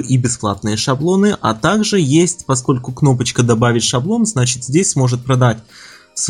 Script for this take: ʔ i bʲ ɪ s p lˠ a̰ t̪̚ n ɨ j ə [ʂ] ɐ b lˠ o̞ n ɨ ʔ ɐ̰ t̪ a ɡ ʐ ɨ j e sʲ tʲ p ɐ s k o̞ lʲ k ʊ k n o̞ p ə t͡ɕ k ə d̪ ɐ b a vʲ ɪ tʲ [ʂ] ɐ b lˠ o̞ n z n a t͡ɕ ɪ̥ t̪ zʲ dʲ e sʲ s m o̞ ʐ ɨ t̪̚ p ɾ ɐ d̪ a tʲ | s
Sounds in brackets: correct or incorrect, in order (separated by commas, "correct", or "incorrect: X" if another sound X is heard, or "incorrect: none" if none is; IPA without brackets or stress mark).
correct, correct